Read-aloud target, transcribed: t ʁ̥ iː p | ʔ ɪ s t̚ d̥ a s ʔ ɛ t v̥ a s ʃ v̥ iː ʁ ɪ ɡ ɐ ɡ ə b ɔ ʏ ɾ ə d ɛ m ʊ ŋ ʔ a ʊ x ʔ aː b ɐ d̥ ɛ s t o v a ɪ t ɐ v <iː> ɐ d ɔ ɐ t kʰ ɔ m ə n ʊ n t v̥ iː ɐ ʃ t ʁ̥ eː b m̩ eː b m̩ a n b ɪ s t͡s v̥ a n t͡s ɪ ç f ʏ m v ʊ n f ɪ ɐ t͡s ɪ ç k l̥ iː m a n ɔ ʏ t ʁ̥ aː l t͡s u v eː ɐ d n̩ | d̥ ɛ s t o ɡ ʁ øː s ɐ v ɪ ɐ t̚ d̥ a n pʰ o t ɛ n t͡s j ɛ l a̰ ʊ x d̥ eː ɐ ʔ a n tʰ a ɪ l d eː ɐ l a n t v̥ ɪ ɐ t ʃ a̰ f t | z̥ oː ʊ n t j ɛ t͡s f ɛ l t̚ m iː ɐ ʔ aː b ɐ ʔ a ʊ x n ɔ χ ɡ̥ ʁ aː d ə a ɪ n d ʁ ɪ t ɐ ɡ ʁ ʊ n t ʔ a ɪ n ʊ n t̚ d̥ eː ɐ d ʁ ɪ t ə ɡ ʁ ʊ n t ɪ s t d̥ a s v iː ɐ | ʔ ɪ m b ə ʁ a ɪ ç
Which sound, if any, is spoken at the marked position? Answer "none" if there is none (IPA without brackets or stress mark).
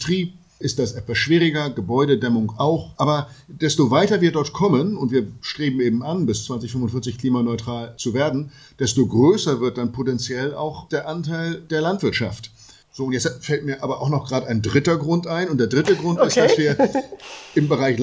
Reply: iː